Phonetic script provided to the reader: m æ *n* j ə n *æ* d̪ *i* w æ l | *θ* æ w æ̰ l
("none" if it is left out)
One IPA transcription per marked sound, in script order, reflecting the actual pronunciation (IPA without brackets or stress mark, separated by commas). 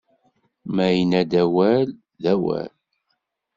none, æ, æ, ð